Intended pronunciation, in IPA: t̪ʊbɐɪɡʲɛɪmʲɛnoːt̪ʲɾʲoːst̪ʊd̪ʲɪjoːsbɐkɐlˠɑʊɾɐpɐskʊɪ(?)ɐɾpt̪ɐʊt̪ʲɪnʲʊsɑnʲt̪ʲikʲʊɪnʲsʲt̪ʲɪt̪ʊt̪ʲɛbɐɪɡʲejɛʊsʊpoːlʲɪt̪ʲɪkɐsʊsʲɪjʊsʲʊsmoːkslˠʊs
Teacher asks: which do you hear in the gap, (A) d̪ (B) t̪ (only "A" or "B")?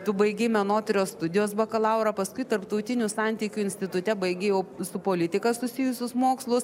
B